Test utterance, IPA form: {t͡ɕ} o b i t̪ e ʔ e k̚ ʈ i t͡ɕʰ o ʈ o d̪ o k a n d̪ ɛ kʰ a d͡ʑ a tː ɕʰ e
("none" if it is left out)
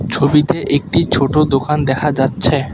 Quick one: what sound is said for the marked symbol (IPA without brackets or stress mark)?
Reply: t͡ɕʰ